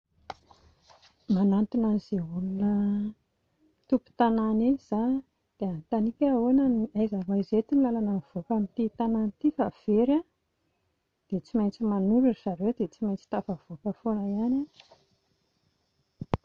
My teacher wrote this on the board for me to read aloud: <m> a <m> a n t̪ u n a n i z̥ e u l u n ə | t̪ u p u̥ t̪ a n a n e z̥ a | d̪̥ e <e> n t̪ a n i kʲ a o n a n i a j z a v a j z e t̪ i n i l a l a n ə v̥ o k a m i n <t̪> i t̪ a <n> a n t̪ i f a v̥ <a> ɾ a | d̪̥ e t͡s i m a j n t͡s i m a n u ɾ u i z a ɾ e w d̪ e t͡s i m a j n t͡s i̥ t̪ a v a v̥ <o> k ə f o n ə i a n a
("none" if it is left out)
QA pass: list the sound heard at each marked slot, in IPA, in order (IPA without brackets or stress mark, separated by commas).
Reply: m, n, a, t̪, n, e, o